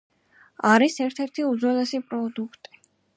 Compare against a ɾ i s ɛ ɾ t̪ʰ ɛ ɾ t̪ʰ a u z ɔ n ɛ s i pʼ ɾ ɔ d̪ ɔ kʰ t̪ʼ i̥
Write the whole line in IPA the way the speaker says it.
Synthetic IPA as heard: a ɾ i s ɛ ɾ t̪ʰ ɛ ɾ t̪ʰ i u z ɔ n ɛ s i pʼ ɾ ɔ d̪ u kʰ t̪ʼ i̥